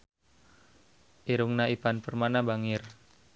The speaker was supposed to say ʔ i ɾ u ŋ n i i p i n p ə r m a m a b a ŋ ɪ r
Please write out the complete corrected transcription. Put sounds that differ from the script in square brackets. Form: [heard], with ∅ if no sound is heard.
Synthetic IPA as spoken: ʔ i ɾ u ŋ n [a] i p [a] n p ə r m a [n] a b a ŋ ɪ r